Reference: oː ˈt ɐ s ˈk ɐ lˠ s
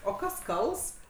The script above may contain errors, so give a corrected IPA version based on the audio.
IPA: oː ˈk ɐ s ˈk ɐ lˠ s

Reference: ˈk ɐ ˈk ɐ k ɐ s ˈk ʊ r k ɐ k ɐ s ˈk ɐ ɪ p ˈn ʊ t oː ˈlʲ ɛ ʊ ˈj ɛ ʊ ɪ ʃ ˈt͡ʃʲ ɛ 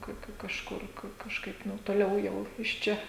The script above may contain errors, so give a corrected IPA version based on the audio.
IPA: ˈk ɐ ˈk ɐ k ɐ ʃ ˈk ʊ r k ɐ k ɐ ʃ ˈk ɐ ɪ p ˈn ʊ t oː ˈlʲ ɛ ʊ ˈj ɛ ʊ ɪ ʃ ˈt͡ʃʲ ɛ

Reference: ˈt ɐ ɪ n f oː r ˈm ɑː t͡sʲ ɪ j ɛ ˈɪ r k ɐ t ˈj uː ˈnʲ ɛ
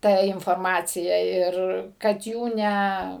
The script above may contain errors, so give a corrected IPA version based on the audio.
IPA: ˈt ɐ ɪ n f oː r ˈm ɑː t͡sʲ ɪ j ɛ ˈɪ r k ɐ t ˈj uː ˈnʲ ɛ

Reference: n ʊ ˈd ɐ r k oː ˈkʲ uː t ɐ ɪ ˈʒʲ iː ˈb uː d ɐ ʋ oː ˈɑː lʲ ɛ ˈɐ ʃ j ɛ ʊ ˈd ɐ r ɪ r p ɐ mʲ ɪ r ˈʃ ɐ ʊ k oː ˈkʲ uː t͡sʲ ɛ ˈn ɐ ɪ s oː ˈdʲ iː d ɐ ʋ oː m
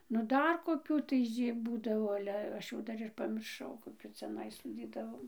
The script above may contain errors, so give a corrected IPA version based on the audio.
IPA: n ʊ ˈd ɐ r k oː ˈkʲ uː t ɐ ɪ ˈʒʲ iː ˈb uː d ɐ ʋ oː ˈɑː lʲ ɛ ˈɐ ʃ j ɛ ʊ ˈd ɐ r ɪ r p ɐ mʲ ɪ r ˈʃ ɐ ʊ k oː ˈkʲ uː t͡sʲ ɛ ˈn ɐ ɪ s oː ˈdʲ iː d ɐ ʋ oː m

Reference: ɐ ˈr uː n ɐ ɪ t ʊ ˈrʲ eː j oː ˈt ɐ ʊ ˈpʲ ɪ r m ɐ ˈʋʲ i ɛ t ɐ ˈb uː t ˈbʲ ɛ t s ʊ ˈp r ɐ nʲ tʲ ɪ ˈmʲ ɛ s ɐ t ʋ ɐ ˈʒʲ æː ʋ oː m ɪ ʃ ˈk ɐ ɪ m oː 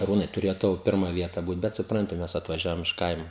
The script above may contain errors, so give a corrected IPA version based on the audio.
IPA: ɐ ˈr uː n ɐ ɪ t ʊ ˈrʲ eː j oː ˈt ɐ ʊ ˈpʲ ɪ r m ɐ ˈʋʲ i ɛ t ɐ ˈb uː t ˈbʲ ɛ t s ʊ ˈp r ɐ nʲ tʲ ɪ ˈmʲ ɛ s ɐ t ʋ ɐ ˈʒʲ æː ʋ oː m ɪ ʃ ˈk ɐ ɪ m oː

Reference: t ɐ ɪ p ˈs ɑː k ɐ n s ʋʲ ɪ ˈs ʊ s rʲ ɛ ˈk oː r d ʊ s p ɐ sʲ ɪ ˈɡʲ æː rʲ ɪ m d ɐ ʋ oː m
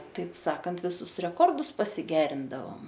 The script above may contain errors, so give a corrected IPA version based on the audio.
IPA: t ɐ ɪ p ˈs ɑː k ɐ n t ʋʲ ɪ ˈs ʊ s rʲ ɛ ˈk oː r d ʊ s p ɐ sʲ ɪ ˈɡʲ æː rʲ ɪ n d ɐ ʋ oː m

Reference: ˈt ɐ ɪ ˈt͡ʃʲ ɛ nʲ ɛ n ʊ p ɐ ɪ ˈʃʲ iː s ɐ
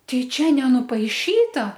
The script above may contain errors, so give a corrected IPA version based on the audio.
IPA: ˈt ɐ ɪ ˈt͡ʃʲ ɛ nʲ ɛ n ʊ p ɐ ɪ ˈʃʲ iː t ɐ

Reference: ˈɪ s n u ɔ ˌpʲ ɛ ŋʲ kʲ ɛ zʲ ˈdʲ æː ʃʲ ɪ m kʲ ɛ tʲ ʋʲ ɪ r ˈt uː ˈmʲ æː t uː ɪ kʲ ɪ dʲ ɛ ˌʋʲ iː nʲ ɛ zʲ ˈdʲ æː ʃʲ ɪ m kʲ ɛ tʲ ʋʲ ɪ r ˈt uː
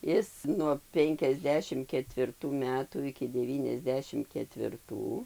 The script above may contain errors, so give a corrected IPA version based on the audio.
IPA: ˈɪ s n u ɔ ˌpʲ ɛ ŋʲ kʲ ɛ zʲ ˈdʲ æː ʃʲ ɪ m kʲ ɛ tʲ ʋʲ ɪ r ˈt uː ˈmʲ æː t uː ɪ kʲ ɪ dʲ ɛ ˌʋʲ iː nʲ ɛ zʲ ˈdʲ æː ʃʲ ɪ m kʲ ɛ tʲ ʋʲ ɪ r ˈt uː

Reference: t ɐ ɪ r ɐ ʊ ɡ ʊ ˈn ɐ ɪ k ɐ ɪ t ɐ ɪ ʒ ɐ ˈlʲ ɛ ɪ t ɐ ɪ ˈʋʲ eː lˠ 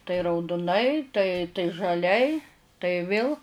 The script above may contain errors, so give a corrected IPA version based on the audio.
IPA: t ɐ ɪ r ɐ ʊ d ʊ ˈn ɐ ɪ t ɐ ɪ t ɐ ɪ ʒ ɐ ˈlʲ ɛ ɪ t ɐ ɪ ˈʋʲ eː lˠ

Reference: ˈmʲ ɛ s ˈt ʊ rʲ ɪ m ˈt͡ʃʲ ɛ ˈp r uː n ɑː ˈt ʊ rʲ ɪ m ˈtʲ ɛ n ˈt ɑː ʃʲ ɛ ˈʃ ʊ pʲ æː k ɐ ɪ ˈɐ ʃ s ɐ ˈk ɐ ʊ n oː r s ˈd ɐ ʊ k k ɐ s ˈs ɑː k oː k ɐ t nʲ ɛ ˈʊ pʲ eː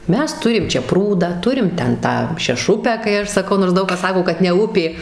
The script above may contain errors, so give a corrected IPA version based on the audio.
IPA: ˈmʲ ɛ s ˈt ʊ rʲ ɪ m ˈt͡ʃʲ ɛ ˈp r uː d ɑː ˈt ʊ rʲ ɪ m ˈtʲ ɛ n ˈt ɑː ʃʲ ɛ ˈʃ ʊ pʲ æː k ɐ ɪ ˈɐ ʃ s ɐ ˈk ɐ ʊ n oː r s ˈd ɐ ʊ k k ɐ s ˈs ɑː k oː k ɐ t nʲ ɛ ˈʊ pʲ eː

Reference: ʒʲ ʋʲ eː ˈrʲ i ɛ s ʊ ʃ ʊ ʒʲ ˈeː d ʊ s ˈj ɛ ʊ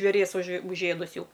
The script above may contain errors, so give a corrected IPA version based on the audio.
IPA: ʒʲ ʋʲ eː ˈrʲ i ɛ s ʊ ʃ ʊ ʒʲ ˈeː d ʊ s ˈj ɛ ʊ

